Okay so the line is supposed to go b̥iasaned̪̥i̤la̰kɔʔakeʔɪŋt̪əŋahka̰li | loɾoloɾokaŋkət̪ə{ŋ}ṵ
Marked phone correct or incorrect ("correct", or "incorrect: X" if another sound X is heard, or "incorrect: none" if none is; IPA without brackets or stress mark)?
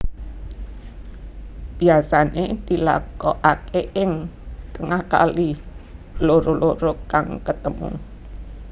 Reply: incorrect: m